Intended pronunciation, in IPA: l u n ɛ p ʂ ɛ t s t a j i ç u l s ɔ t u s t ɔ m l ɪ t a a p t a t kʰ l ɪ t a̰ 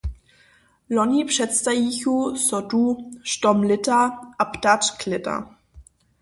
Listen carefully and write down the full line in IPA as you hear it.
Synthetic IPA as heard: l ɔ n i p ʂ ɛ t s t a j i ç u s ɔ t u ʃ t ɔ m l ɪ t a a p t a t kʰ l ɪ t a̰

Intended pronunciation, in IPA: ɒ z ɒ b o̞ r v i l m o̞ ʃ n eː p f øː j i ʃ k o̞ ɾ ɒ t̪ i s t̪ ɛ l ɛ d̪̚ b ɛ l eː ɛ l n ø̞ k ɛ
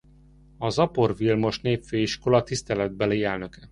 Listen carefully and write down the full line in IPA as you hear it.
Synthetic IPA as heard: ɒ z ɒ p o̞ r v i l m o̞ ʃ n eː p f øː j i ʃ k o̞ l ɒ t̪ i s t̪ ɛ l ɛ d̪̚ b ɛ l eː ɛ l n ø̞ k ɛ

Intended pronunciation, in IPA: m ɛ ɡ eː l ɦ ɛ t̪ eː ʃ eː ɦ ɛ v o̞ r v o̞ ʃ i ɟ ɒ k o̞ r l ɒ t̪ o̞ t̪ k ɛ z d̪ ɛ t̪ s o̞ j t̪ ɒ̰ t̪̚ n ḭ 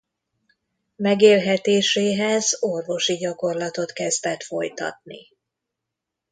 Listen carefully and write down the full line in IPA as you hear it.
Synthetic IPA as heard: m ɛ ɡ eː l ɦ ɛ t̪ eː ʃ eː ɦ ɛ z o̞ r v o̞ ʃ i ɟ ɒ k o̞ r l ɒ t̪ o̞ t̪ k ɛ z d̪ ɛ t̪ f o̞ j t̪ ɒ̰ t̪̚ n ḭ

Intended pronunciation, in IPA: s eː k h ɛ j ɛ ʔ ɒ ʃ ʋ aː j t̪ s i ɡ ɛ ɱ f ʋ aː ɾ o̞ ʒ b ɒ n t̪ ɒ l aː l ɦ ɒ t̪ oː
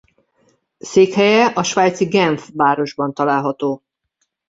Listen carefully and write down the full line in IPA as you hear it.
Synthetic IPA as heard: s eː k h ɛ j ɛ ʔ ɒ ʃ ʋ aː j t̪ s i ɡ ɛ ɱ f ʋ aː ɾ o̞ ʒ b ɒ n t̪ ɒ l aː l ɦ ɒ t̪ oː

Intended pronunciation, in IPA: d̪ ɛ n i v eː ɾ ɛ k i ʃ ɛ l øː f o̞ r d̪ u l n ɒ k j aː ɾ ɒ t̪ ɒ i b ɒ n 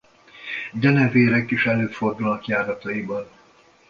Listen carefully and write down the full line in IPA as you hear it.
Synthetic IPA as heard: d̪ ɛ n ɛ v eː ɾ ɛ k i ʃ ɛ l øː f o̞ r d̪ u l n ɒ k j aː ɾ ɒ t̪ ɒ i b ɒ n

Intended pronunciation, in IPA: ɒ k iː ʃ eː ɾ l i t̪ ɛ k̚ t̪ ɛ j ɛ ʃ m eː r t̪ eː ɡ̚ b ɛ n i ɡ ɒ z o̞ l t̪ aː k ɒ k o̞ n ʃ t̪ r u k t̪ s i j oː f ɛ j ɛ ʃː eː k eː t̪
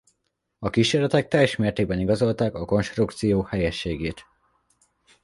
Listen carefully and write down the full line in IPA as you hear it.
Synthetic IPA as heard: ɒ k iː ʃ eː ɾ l ɛ t̪ ɛ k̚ t̪ ɛ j ɛ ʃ m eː r t̪ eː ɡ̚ b ɛ n i ɡ ɒ z o̞ l t̪ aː k ɒ k o̞ n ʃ t̪ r u k t̪ s i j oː h ɛ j ɛ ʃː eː ɡ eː t̪

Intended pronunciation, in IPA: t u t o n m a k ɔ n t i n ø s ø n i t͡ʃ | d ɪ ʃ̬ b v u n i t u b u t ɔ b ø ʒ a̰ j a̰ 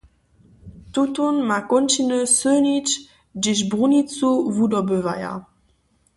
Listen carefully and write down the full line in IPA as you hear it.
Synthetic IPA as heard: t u t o n m a k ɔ n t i n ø s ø n i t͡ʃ | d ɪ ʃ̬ b ʁ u n i t͡s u v u d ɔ b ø v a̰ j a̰

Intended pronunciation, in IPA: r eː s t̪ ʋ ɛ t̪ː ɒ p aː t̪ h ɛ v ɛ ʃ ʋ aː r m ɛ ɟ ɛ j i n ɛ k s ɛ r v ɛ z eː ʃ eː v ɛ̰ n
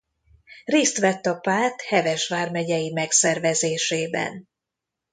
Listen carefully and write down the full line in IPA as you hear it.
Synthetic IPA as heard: r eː s t̪ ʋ ɛ t̪ː ɒ p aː t̪ h ɛ v ɛ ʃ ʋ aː r m ɛ ɟ ɛ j i m ɛ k s ɛ r v ɛ z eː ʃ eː b ɛ̰ n

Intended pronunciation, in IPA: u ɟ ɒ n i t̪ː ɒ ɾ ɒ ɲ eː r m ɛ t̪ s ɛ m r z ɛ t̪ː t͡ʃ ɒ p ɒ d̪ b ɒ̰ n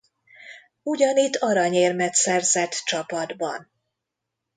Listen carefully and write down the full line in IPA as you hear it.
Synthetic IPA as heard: u ɟ ɒ n i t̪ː ɒ ɾ ɒ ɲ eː r m ɛ t̪ s ɛ r z ɛ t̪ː t͡ʃ ɒ p ɒ d̪ b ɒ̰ n

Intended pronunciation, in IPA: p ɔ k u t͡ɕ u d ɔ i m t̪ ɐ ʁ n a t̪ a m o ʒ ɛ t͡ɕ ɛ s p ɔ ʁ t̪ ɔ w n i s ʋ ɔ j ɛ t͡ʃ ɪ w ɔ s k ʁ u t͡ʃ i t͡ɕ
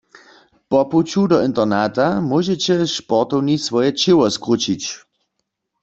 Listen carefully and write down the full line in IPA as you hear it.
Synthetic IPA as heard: p ɔ p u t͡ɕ u d ɔ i n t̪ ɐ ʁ n a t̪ a m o ʒ ɛ t͡ɕ ɛ ʃ p ɔ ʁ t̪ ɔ w n i s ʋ ɔ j ɛ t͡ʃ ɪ w ɔ s k ʁ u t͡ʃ i t͡ɕ

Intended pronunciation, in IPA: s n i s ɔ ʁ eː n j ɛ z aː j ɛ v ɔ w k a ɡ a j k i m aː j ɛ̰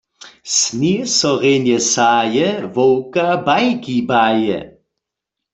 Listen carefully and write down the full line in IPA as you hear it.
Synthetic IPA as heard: s n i s ɔ ʁ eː n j ɛ s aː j ɛ v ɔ w k a b a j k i b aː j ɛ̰

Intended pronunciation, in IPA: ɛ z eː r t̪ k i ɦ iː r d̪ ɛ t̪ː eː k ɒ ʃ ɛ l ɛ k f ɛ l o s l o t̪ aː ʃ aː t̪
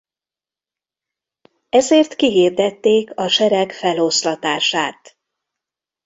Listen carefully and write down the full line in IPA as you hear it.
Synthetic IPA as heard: ɛ z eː r t̪ k i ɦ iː r d̪ ɛ t̪ː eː k ɒ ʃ ɛ ɾ ɛ k f ɛ l o s l ɒ t̪ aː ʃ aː t̪

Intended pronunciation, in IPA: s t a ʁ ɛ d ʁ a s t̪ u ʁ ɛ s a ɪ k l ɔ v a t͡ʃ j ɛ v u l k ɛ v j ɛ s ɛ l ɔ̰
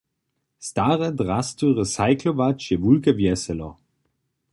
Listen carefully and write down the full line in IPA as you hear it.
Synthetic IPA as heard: s t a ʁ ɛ d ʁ a s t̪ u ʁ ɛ s a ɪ k l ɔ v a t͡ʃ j ɛ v u l k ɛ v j ɛ s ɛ l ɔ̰

